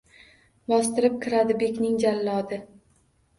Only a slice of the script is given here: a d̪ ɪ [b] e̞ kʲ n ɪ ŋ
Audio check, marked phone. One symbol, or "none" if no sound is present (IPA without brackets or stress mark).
b